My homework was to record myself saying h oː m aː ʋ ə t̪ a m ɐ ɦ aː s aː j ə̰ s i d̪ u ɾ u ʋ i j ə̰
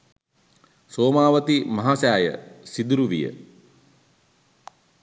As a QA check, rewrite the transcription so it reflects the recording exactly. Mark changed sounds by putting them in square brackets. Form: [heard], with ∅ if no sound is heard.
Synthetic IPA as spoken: [s] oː m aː ʋ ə t̪ [i] m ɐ ɦ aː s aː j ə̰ s i d̪ u ɾ u ʋ i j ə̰